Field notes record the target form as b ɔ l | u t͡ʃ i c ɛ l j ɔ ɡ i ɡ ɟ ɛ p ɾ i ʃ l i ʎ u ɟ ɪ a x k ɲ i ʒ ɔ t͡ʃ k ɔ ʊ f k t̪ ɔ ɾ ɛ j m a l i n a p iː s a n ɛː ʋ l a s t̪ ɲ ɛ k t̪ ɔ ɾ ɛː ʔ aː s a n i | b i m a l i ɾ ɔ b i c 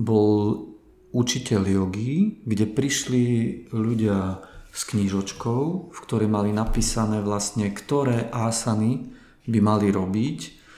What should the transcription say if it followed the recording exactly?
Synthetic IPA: b ɔ l | u t͡ʃ i c ɛ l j ɔ ɡ i ɡ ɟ ɛ p ɾ i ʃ l i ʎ u ɟ ɪ a s k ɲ i ʒ ɔ t͡ʃ k ɔ ʊ f k t̪ ɔ ɾ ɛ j m a l i n a p iː s a n ɛː ʋ l a s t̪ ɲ ɛ k t̪ ɔ ɾ ɛː ʔ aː s a n i | b i m a l i ɾ ɔ b i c